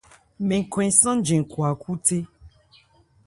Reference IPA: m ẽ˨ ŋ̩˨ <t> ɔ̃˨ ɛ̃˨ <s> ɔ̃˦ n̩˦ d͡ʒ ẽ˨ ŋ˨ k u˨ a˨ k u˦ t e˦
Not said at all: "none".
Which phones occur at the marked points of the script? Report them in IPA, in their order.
k, s

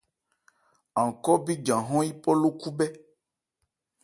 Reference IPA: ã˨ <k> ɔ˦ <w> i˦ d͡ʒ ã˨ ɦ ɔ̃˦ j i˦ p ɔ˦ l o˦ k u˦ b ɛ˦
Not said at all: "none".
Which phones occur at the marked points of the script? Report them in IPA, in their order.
k, b

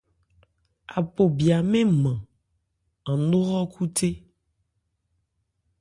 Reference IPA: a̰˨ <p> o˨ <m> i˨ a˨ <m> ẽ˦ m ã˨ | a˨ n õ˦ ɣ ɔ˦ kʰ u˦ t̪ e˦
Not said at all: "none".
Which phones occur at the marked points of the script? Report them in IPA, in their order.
p, b, m

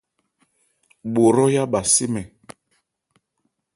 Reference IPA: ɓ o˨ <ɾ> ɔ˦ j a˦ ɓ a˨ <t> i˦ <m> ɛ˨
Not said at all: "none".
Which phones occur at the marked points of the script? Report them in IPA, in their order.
ɾ, s, m

